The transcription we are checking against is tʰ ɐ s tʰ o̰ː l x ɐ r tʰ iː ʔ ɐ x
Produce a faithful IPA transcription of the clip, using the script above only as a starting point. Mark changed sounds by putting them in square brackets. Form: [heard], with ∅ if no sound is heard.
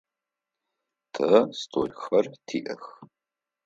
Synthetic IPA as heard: tʰ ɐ s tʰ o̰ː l x ɐ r tʰ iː ʔ ɐ x